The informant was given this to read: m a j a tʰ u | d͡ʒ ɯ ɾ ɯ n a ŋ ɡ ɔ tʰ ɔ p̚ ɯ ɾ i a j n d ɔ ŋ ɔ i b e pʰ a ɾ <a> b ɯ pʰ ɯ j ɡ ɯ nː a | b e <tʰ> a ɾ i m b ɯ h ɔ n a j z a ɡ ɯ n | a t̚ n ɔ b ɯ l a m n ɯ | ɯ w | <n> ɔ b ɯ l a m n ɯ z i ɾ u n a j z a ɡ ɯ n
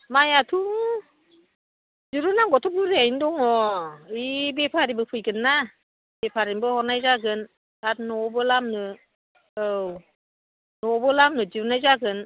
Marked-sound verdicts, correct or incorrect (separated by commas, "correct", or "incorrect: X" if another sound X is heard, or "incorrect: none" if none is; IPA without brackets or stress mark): incorrect: i, incorrect: pʰ, correct